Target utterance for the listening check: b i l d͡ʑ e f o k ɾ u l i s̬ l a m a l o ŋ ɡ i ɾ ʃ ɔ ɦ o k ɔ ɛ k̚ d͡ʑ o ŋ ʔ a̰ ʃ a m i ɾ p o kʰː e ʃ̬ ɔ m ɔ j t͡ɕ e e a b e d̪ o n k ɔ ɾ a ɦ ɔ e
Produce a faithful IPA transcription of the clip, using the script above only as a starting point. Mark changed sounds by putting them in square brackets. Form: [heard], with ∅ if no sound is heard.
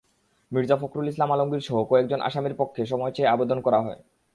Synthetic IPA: [m] i [ɾ] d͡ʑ [a] f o k ɾ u l i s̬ l a m a l o ŋ ɡ i ɾ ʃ ɔ ɦ o k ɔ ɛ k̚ d͡ʑ o [n] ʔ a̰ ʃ a m i ɾ p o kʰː e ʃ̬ ɔ m ɔ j t͡ɕ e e a b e d̪ o n k ɔ ɾ a ɦ ɔ e